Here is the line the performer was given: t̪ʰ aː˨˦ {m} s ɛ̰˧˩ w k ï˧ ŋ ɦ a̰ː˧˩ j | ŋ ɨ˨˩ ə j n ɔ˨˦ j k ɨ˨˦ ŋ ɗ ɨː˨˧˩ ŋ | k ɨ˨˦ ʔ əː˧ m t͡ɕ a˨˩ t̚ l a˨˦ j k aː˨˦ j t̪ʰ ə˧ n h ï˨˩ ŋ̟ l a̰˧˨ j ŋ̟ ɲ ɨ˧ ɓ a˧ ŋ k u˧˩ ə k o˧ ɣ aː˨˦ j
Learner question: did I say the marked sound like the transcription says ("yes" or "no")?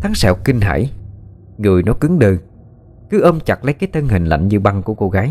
no